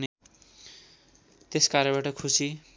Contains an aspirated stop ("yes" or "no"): yes